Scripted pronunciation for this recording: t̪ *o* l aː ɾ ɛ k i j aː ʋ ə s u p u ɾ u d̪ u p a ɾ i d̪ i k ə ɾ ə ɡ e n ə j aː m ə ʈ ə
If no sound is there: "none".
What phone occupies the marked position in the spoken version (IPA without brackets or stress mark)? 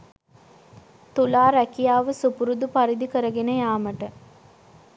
u